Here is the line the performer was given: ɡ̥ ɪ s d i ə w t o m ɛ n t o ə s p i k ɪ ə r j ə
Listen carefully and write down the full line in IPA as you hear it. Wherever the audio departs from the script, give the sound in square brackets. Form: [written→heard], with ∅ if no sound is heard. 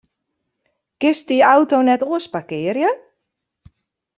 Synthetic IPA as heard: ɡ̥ ɪ s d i [ə→a] w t o [m→n] ɛ [n→∅] t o ə s p [i→a] k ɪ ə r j ə